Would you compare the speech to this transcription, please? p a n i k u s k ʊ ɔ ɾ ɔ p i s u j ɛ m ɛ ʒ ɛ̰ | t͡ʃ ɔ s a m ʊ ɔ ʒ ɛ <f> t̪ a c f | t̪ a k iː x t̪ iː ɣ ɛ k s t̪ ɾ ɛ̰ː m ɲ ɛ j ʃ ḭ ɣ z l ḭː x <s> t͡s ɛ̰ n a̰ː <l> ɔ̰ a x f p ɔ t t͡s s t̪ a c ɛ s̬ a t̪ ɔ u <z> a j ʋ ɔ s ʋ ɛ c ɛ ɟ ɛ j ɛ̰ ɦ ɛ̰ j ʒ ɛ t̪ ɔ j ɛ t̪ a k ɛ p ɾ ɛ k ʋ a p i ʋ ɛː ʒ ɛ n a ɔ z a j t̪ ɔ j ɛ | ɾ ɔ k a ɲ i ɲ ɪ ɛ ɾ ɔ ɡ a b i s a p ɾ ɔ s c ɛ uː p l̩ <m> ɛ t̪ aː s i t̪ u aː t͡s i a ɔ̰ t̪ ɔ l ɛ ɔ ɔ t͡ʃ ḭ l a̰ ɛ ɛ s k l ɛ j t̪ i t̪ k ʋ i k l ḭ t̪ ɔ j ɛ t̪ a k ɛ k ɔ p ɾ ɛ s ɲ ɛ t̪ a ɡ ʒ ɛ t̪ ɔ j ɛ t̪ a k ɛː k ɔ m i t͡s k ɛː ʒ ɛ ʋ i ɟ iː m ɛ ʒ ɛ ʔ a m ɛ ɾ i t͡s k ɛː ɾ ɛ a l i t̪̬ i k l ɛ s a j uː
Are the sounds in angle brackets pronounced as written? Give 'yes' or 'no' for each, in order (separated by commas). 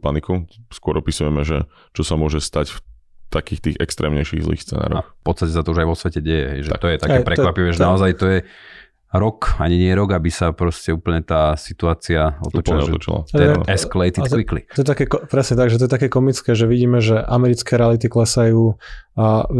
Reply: no, yes, no, no, no